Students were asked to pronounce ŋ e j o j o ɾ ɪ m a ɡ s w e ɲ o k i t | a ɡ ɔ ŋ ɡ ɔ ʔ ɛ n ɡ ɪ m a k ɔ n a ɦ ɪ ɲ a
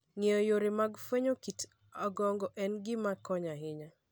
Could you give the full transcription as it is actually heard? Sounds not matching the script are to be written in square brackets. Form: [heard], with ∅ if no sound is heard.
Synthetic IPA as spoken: ŋ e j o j o ɾ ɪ m a ɡ [f] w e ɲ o k i t | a ɡ ɔ ŋ ɡ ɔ ʔ ɛ n ɡ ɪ m a k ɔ [ɲ] a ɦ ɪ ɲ a